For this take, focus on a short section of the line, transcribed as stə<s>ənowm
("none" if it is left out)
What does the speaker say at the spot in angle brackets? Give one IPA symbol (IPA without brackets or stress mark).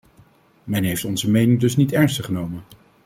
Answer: χ